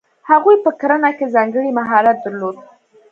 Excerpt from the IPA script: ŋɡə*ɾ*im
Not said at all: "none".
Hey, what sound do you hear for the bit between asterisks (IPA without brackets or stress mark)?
ɽ